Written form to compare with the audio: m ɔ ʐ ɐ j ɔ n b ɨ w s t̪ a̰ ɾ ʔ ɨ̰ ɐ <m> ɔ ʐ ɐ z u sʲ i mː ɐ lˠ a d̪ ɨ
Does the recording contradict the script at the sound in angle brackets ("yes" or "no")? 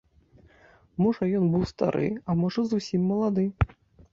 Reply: no